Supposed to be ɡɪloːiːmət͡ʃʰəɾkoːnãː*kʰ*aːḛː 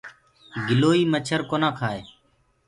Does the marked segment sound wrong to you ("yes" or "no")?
no